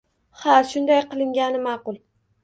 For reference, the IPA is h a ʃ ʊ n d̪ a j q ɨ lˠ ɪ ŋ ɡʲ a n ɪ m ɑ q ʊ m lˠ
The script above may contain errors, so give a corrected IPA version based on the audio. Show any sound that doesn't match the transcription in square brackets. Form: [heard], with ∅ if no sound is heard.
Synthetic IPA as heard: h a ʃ ʊ n d̪ a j q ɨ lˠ ɪ ŋ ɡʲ a n ɪ m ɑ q ʊ [∅] lˠ